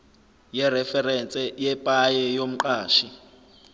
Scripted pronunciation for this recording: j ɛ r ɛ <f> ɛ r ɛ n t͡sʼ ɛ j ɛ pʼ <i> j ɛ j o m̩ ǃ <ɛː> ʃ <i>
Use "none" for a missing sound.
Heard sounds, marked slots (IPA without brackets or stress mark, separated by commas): f, a, aː, i